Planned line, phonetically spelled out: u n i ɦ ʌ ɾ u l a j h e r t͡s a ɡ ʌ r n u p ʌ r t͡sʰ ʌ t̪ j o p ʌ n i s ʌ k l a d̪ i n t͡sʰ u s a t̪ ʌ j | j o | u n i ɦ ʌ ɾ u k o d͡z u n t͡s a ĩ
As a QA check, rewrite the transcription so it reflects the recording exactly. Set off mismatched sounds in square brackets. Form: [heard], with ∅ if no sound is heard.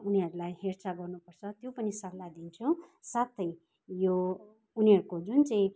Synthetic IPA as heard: u n i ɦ ʌ ɾ u l a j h e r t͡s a ɡ ʌ r n u p ʌ r t͡sʰ ʌ t̪ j o p ʌ n i s ʌ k l a d̪ i n t͡sʰ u s a t̪ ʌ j | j o | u n i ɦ ʌ ɾ u k o d͡z u n t͡s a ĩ

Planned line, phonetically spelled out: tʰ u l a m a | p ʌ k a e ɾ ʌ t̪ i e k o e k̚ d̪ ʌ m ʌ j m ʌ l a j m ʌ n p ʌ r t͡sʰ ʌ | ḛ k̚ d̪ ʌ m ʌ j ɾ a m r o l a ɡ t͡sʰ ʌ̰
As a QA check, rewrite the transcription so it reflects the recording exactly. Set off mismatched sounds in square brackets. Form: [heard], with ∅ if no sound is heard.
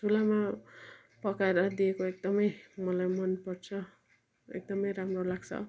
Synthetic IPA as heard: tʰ u l a m a | p ʌ k a e ɾ ʌ [d̪] i e k o e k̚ d̪ ʌ m ʌ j m ʌ l a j m ʌ n p ʌ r t͡sʰ ʌ | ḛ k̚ d̪ ʌ m ʌ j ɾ a m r o l a ɡ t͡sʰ ʌ̰

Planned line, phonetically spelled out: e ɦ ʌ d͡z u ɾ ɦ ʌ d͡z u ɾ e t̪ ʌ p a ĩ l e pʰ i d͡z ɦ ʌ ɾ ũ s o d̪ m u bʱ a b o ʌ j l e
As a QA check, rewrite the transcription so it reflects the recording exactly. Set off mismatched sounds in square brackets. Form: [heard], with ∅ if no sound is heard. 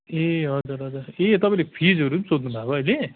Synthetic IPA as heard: e ɦ ʌ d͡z u ɾ ɦ ʌ d͡z u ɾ e t̪ ʌ p a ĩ l e pʰ i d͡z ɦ ʌ ɾ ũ s o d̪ [n] u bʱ a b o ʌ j l e

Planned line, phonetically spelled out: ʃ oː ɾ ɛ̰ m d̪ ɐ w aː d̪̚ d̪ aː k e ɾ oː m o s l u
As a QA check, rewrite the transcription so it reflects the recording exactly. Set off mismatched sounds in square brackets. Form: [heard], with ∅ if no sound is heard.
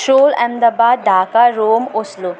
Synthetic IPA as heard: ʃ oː [l] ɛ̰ m d̪ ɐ [b] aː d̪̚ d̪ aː k [a] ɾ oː m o s l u

